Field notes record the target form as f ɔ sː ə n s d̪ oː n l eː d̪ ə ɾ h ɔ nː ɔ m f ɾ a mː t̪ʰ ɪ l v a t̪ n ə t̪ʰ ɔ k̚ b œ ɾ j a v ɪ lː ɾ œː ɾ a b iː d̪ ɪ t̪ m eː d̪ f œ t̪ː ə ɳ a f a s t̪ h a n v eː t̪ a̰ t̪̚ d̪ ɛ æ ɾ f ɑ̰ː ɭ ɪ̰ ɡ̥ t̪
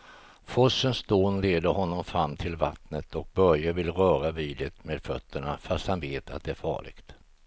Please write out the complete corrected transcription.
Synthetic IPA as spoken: f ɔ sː ə n s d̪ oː n l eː d̪ ə ɾ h ɔ nː ɔ m f ɾ a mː t̪ʰ ɪ l v a t̪ n ə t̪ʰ ɔ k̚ b œ ɾ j a v ɪ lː ɾ œː ɾ a v iː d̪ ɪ t̪ m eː d̪ f œ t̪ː ə ɳ a f a s t̪ h a n v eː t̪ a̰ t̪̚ d̪ ɛ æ ɾ f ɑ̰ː ɭ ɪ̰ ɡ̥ t̪